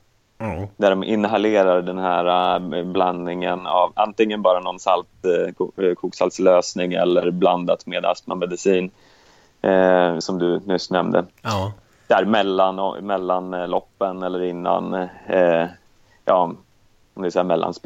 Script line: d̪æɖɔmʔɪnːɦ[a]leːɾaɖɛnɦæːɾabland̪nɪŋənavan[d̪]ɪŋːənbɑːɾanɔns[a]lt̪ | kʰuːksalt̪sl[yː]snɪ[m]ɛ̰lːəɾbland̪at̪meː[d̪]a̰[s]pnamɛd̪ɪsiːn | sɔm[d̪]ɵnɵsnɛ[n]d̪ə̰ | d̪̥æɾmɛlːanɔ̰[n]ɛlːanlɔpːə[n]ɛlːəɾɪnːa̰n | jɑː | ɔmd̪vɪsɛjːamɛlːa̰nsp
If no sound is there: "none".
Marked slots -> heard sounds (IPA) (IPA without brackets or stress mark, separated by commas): a, t̪, a, øː, ŋ, d̪, s, d̪, m, m, n